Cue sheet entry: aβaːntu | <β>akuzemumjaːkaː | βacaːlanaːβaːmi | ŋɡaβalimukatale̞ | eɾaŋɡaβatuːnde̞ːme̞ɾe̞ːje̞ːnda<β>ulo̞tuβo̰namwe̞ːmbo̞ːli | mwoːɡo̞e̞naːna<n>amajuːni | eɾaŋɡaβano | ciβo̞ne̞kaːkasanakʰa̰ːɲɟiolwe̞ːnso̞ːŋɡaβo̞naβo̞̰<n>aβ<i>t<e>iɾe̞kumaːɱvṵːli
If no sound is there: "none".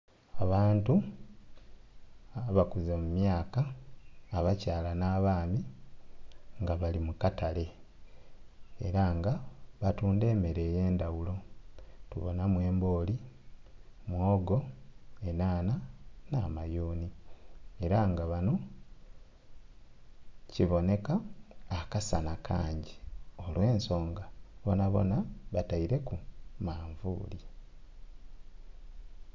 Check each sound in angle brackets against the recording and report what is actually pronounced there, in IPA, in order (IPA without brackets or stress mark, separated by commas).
β, w, n, n, a, a